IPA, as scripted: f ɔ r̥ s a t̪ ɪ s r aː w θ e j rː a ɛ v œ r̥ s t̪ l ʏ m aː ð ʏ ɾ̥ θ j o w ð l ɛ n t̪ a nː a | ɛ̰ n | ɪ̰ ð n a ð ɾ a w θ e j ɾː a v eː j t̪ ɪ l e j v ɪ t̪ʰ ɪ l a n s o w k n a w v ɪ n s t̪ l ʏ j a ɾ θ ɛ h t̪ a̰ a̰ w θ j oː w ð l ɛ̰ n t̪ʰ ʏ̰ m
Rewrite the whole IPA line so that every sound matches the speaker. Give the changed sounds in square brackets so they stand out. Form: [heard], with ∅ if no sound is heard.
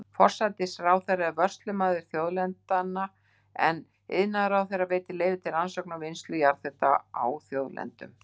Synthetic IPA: f ɔ r̥ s a t̪ ɪ s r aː w θ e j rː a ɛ v œ r̥ s t̪ l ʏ m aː ð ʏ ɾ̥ θ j o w ð l ɛ n t̪ a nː a | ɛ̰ n | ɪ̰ ð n a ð ɾ a w θ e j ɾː a v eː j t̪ ɪ l e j v ɪ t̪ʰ ɪ l a n s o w k n a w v ɪ n s t̪ l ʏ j a ɾ θ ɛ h t̪ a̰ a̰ w θ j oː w ð l ɛ̰ n [t̪] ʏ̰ m

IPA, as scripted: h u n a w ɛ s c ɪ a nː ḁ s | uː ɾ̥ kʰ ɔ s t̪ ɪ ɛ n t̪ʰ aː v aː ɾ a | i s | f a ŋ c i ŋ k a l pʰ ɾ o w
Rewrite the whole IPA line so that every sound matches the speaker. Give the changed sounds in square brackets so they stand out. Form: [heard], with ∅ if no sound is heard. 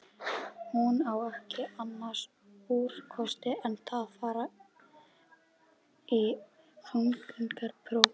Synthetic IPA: h u n a w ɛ [h] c ɪ a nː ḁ s | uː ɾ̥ kʰ ɔ s t̪ ɪ ɛ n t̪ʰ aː [f] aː ɾ a | i [∅] | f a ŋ [k] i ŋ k a [ɾ] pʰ ɾ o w

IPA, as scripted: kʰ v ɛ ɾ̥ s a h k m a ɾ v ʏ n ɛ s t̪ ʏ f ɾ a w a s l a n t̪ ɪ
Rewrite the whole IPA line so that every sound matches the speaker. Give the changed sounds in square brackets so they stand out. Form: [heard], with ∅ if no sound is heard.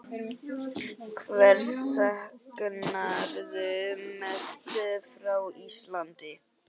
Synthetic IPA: kʰ v ɛ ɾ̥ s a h k [n] a ɾ [ð] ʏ [m] ɛ s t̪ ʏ f ɾ a w [i] s l a n t̪ ɪ

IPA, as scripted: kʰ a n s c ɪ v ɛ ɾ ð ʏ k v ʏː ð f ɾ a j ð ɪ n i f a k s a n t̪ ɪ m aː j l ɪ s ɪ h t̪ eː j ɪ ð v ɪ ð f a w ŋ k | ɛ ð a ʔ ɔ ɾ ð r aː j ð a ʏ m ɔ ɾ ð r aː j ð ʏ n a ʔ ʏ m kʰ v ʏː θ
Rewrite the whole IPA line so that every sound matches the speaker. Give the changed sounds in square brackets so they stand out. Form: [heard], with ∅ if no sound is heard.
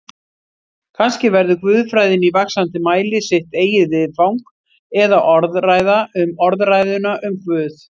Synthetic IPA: kʰ a n s c ɪ v ɛ ɾ ð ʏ k v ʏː ð f ɾ a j ð ɪ n i [v] a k s a n t̪ ɪ m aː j l ɪ s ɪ h t̪ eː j ɪ ð v ɪ ð f a w ŋ k | ɛ ð a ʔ ɔ ɾ ð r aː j ð a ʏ m ɔ ɾ ð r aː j ð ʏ n a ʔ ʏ m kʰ v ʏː θ

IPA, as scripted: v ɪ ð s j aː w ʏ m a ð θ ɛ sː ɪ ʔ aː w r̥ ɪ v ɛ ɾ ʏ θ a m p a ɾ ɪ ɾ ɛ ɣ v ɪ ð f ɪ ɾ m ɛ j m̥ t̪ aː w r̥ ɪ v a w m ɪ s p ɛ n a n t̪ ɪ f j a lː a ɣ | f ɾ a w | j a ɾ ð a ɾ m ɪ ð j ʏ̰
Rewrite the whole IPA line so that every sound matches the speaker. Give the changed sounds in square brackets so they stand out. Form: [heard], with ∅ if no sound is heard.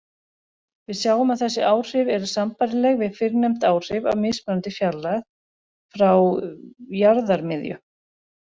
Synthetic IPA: v ɪ ð s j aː w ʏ m a ð θ ɛ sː ɪ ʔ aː w r̥ ɪ v ɛ ɾ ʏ [s] a m p a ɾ ɪ [l] ɛ ɣ v ɪ ð f ɪ ɾ [n] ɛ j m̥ t̪ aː w r̥ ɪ v a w m ɪ s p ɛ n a n t̪ ɪ f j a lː a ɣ | f ɾ a w | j a ɾ ð a ɾ m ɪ ð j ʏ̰

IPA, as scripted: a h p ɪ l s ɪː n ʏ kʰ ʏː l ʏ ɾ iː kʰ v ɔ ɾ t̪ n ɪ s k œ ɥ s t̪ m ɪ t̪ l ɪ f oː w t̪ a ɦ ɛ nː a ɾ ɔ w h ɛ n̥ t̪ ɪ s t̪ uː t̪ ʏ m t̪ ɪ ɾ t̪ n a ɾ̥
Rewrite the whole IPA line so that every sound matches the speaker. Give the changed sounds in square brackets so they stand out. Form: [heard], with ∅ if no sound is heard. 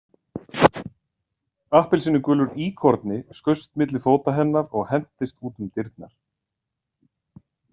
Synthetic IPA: a h p ɪ l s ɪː n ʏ [k] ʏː l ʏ ɾ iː kʰ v ɔ ɾ t̪ n ɪ s k œ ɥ s t̪ m ɪ t̪ l ɪ f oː w t̪ a ɦ ɛ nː a ɾ ɔ [ɣ] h ɛ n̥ t̪ ɪ s t̪ uː t̪ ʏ m t̪ ɪ ɾ t̪ n a ɾ̥

